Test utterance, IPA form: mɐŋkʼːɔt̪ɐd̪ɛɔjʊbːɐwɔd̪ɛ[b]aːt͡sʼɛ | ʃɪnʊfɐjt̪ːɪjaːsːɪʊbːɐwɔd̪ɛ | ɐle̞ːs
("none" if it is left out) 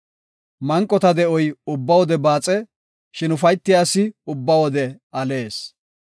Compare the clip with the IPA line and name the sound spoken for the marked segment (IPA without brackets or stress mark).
b